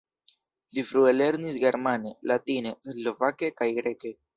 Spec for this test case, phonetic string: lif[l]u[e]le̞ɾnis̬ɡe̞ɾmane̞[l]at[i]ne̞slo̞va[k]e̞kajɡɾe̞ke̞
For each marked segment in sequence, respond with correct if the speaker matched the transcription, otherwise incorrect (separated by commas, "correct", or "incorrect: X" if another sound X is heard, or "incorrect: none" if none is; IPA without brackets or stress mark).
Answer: incorrect: ɾ, correct, correct, correct, correct